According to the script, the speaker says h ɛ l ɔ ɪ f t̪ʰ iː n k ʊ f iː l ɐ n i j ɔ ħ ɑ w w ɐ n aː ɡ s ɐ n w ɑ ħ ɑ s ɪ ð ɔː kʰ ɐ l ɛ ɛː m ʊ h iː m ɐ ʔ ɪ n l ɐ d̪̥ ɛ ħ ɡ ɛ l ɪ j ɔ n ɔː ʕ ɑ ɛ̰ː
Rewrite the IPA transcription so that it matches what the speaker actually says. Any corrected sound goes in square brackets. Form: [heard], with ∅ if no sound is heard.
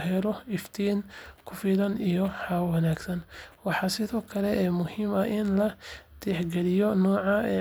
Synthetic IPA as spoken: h ɛ l ɔ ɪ f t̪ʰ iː n [kʰ] ʊ f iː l ɐ n i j ɔ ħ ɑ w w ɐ n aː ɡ s ɐ n w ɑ ħ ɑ s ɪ ð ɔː kʰ ɐ l ɛ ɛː m ʊ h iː m ɐ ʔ ɪ n l ɐ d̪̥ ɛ ħ ɡ ɛ l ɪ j ɔ n ɔː ʕ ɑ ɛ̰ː